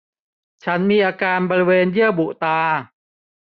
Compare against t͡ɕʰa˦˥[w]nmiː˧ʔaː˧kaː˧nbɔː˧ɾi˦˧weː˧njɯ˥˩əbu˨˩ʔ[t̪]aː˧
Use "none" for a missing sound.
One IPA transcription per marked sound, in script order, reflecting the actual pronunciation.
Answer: none, t̪

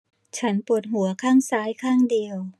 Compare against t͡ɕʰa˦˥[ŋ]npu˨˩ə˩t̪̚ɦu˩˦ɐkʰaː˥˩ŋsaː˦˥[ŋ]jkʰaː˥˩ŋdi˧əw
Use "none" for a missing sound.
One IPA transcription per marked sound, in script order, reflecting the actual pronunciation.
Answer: none, none

